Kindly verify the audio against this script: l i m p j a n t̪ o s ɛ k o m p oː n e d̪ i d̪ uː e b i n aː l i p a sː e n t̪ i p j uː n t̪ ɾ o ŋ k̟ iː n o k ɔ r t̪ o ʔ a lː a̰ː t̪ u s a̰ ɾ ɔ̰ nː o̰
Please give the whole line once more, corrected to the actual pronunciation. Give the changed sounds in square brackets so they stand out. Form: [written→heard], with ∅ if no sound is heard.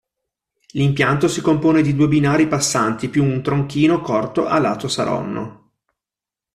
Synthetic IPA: l i m p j a n t̪ o s [ɛ→i] k o m p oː n e d̪ i d̪ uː e b i n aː [l→ɾ] i p a sː [e→a] n t̪ i p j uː n t̪ ɾ o ŋ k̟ iː n o k ɔ r t̪ o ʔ a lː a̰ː t̪ [u→o] s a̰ ɾ ɔ̰ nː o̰